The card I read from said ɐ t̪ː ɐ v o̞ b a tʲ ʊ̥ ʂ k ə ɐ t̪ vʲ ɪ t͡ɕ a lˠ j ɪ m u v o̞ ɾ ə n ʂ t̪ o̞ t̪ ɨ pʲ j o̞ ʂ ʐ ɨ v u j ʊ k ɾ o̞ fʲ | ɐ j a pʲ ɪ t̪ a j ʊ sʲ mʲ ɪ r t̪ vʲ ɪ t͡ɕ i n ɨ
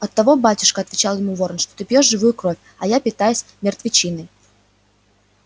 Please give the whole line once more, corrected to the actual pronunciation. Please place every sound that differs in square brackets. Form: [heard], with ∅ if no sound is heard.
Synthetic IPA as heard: ɐ t̪ː ɐ v o̞ b a tʲ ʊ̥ ʂ k ə ɐ t̪ vʲ ɪ t͡ɕ a lˠ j ɪ m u v o̞ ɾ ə n ʂ t̪ o̞ t̪ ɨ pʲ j o̞ ʂ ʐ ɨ v u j ʊ k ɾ o̞ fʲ | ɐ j a pʲ ɪ t̪ a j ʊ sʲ mʲ ɪ r t̪ vʲ ɪ t͡ɕ i n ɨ